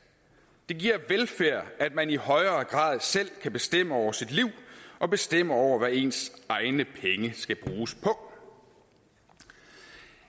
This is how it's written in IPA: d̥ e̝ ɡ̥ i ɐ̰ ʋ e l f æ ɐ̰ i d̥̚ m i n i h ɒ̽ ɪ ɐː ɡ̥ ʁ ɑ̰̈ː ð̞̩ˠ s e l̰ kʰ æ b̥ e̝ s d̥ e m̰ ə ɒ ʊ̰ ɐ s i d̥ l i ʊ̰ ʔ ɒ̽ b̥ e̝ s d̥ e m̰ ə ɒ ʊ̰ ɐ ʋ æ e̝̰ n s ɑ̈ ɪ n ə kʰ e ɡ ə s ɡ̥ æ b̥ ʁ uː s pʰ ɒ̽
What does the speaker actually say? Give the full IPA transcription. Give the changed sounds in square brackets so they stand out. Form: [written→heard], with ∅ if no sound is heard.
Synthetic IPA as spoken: d̥ e̝ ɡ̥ i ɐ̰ ʋ e l f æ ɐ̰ [i→æ] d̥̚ m [i→æ] n i h ɒ̽ ɪ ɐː ɡ̥ ʁ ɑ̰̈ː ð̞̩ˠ s e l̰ kʰ æ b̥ e̝ s d̥ e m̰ ə ɒ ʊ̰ ɐ s i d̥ l i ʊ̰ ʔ ɒ̽ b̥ e̝ s d̥ e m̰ ə ɒ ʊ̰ ɐ ʋ æ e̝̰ n s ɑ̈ ɪ n ə [kʰ→pʰ] e [ɡ→ŋ] ə s ɡ̥ æ b̥ ʁ uː s pʰ ɒ̽